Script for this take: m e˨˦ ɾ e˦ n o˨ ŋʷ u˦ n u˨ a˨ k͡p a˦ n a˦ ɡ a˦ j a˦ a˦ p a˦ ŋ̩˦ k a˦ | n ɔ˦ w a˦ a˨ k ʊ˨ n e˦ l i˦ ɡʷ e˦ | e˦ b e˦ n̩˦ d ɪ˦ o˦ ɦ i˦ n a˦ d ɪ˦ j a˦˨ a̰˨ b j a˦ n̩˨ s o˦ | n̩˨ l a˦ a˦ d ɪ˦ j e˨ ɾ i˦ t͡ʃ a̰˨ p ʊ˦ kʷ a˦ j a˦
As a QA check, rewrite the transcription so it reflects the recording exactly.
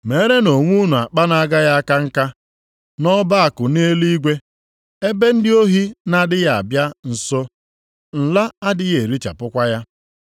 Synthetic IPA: m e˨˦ ɾ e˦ n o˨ ŋʷ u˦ n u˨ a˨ k͡p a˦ n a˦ ɡ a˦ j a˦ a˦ k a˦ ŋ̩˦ k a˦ | n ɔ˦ b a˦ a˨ k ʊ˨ n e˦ l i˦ ɡʷ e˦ | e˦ b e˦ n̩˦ d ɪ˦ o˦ ɦ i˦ n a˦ d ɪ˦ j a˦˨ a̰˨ b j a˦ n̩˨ s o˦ | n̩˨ l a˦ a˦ d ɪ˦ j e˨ ɾ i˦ t͡ʃ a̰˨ p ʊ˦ kʷ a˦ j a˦